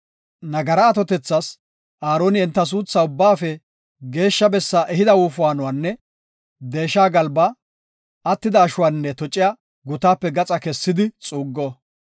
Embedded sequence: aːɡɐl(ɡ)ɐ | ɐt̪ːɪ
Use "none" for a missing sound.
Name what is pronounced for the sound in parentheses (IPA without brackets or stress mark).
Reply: b